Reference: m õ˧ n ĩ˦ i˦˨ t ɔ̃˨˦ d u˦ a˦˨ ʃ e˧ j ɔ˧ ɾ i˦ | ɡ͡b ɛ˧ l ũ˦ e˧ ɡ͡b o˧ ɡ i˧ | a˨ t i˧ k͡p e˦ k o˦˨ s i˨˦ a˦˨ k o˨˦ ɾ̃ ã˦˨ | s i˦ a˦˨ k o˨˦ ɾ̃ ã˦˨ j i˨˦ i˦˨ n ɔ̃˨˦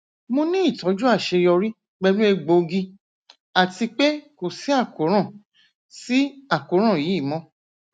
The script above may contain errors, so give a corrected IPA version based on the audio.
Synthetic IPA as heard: m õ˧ n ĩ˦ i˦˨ t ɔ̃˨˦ d͡ʒ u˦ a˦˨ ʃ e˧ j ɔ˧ ɾ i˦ | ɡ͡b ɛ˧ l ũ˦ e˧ ɡ͡b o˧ ɡ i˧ | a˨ t i˧ k͡p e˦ k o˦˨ s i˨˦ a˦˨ k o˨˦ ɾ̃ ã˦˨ | s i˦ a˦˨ k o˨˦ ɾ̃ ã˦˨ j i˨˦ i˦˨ m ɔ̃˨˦

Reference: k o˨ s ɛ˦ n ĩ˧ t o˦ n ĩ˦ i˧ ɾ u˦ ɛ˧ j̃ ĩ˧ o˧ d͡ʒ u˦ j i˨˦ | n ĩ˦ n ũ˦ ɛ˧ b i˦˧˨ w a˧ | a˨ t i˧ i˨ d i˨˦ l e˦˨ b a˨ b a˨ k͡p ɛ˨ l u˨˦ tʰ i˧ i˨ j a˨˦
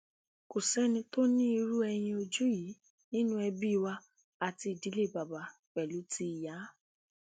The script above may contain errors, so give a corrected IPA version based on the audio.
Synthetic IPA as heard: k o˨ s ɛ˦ n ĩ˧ t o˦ n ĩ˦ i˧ ɾ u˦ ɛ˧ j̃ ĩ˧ o˧ d͡ʒ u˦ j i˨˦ | n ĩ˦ n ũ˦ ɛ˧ b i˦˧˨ w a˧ | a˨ t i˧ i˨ d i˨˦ l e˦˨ b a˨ b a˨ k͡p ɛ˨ l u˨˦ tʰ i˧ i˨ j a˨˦

